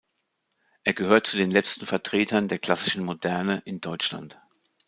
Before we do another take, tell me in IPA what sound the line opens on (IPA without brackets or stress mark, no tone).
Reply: ʔ